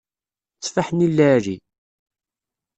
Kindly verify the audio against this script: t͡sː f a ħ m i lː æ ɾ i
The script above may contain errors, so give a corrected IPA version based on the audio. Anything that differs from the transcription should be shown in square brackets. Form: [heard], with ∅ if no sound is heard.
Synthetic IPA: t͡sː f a ħ [n] i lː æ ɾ i